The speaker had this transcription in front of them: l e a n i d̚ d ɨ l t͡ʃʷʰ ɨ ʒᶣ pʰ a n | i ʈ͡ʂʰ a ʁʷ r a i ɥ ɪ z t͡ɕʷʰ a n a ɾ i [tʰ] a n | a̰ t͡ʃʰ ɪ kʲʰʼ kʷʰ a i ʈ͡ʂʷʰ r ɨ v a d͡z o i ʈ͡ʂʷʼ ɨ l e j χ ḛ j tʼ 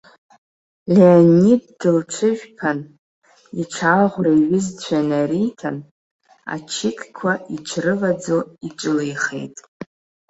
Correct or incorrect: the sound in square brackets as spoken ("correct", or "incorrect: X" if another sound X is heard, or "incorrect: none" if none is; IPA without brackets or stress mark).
correct